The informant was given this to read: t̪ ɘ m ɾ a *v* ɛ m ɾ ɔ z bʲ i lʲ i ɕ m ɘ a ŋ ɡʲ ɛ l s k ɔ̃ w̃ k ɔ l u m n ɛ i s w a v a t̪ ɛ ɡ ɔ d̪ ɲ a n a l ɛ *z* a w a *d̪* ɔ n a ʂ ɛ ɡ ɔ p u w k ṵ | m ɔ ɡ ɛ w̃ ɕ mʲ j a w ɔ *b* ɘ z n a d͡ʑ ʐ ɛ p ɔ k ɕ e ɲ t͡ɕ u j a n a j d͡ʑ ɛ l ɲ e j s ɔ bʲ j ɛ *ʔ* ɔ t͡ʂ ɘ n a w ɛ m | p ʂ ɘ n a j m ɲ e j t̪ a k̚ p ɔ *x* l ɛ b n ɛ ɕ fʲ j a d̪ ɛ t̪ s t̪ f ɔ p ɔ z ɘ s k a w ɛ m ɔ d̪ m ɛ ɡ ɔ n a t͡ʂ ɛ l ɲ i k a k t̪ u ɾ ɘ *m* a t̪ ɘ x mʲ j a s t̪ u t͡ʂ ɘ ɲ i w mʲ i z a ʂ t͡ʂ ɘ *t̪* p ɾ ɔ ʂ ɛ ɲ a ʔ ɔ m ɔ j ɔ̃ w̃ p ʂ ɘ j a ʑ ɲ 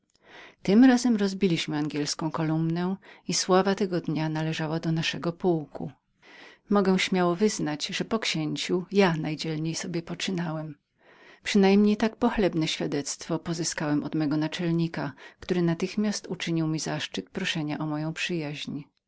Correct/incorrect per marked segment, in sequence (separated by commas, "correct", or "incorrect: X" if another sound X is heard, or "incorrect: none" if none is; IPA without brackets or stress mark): incorrect: z, incorrect: ʐ, correct, incorrect: v, incorrect: p, correct, incorrect: n, correct